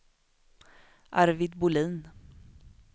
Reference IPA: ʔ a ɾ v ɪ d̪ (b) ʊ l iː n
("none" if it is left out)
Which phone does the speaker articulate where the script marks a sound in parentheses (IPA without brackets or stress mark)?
b